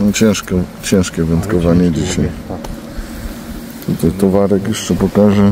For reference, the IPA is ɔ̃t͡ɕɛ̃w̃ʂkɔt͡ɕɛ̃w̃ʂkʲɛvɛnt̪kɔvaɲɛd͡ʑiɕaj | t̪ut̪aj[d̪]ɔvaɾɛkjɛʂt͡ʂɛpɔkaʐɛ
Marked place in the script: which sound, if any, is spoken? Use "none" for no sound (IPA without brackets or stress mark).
t̪